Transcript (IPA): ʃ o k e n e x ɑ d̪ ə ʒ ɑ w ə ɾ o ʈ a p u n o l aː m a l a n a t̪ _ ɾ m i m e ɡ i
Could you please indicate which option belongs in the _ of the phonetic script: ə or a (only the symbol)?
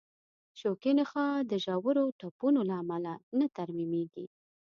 a